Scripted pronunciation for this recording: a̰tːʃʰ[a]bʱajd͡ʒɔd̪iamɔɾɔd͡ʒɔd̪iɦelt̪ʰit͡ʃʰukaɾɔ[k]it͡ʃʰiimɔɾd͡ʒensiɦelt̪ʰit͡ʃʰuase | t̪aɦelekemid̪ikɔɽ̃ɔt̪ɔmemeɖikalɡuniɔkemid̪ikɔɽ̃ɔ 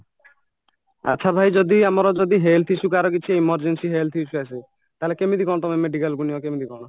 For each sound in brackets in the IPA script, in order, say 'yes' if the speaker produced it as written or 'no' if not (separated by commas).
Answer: yes, yes